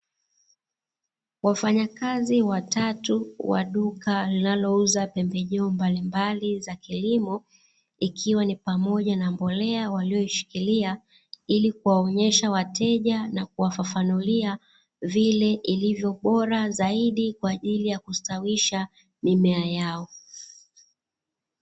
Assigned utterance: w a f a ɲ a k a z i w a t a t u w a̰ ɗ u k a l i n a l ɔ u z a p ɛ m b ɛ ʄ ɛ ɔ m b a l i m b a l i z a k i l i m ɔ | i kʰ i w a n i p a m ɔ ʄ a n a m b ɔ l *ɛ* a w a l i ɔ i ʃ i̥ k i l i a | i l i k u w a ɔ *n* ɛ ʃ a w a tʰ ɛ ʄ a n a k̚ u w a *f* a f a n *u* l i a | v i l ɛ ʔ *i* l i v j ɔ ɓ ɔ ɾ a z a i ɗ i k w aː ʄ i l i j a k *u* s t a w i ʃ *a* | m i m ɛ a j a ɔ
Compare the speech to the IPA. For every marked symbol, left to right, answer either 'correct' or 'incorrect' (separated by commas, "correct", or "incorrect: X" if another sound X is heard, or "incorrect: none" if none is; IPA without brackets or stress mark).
correct, incorrect: ɲ, correct, correct, correct, correct, correct